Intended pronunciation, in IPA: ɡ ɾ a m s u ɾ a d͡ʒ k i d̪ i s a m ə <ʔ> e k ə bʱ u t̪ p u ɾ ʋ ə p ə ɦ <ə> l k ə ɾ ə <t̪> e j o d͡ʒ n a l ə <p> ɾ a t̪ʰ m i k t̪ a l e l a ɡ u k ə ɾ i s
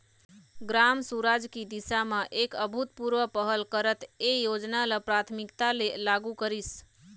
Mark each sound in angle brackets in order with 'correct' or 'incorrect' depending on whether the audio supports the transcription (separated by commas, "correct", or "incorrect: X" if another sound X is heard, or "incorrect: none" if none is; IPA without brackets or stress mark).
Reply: correct, correct, correct, correct